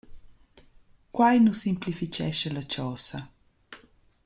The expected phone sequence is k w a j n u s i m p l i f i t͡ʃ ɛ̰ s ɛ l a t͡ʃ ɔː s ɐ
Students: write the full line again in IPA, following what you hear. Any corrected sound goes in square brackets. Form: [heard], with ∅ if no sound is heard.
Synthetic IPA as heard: k w a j n u s i m p l i f i t͡ʃ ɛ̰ [ʃ] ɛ l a t͡ʃ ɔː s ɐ